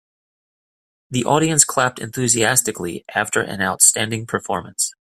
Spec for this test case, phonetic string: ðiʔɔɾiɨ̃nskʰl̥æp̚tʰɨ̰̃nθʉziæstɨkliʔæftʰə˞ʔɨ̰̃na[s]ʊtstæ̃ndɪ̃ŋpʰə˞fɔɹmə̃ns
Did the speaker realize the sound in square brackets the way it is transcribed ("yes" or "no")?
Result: no